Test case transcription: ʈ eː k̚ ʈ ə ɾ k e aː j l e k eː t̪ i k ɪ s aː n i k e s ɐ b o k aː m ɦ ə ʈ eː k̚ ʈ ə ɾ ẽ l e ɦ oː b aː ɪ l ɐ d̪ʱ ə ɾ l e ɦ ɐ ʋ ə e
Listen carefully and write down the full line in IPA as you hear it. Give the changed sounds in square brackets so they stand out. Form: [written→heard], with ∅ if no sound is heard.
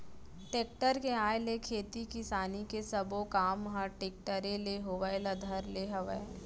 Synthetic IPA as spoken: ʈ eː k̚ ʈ ə ɾ k e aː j l e [k→kʰ] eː t̪ i k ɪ s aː n i k e s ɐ b o k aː m ɦ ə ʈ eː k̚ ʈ ə ɾ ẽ l e ɦ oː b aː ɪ l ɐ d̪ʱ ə ɾ l e ɦ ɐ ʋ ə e